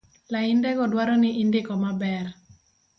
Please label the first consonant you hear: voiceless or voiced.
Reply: voiced